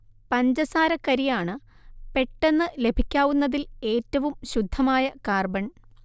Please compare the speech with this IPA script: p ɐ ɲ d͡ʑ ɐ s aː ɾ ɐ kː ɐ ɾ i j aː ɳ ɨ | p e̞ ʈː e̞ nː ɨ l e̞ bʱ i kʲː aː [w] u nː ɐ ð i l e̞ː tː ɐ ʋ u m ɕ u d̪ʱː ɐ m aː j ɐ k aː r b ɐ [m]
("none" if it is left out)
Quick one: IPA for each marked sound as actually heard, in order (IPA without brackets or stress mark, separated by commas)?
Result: ʋ, ɳ